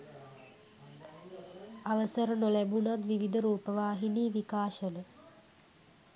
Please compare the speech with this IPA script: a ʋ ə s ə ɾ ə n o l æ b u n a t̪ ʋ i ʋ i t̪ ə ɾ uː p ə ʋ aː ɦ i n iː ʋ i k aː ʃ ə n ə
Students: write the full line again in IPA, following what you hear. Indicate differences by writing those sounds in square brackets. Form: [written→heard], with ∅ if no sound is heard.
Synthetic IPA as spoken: a ʋ ə s ə ɾ ə n o l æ b u n a t̪ ʋ i ʋ i [t̪→d̪] ə ɾ uː p ə ʋ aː ɦ i n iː ʋ i k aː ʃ ə n ə